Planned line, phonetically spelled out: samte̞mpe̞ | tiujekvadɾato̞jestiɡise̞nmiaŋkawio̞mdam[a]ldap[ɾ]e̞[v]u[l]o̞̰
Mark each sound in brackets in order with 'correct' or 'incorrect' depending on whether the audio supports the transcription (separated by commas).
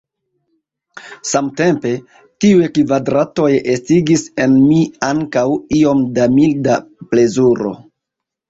incorrect, incorrect, incorrect, incorrect